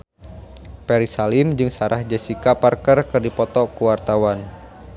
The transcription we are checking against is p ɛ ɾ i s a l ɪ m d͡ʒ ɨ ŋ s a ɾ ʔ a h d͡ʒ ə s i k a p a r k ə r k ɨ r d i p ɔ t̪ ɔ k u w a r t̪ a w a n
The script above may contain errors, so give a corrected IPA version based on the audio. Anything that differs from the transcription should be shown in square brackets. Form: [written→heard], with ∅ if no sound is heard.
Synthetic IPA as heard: p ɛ ɾ i s a l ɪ m d͡ʒ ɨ ŋ s a ɾ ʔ a h d͡ʒ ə s i k a p a r k ə r k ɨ r d i p ɔ t̪ ɔ k u w a r t̪ a w a n